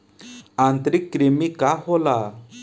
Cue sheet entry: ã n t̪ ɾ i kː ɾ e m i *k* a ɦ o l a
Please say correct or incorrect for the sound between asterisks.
correct